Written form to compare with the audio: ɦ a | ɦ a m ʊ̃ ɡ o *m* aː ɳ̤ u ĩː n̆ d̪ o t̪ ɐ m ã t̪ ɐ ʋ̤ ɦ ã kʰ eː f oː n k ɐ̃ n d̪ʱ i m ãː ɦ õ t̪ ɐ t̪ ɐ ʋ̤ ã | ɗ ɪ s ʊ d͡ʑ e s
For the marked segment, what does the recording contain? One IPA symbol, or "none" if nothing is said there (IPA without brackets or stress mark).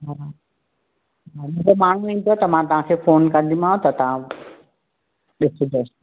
m